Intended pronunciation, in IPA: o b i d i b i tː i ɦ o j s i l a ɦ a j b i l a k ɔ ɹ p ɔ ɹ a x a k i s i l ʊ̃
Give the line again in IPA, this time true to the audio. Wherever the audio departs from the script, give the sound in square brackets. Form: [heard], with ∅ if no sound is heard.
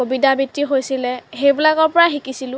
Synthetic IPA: o b i d [a] b i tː i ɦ o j s i l [ɛ] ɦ [e] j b i l a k ɔ ɹ p ɔ ɹ a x [i] k i s i l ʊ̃